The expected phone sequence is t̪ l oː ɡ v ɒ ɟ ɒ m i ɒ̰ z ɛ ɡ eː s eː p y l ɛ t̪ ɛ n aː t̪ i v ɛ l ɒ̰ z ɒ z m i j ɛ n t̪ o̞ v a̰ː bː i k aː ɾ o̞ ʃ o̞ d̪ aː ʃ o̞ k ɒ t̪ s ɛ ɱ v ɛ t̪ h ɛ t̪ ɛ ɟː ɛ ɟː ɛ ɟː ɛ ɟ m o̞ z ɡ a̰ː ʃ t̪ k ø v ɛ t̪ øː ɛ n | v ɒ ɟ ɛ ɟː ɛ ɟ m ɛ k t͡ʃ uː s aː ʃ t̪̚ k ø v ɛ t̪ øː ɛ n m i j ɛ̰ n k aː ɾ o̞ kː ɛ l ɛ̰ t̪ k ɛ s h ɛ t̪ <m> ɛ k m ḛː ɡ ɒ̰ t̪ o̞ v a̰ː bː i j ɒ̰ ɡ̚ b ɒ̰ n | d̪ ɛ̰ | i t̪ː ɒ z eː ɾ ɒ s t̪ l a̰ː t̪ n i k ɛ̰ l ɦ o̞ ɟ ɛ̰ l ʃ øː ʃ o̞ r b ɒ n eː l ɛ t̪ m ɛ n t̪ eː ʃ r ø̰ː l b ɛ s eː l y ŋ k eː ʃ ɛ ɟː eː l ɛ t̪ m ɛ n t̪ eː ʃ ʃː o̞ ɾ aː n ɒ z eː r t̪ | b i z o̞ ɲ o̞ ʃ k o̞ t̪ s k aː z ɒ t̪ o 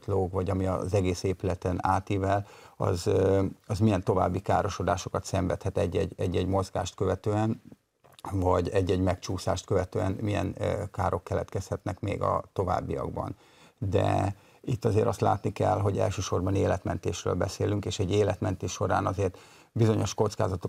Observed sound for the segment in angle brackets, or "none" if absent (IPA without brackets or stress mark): n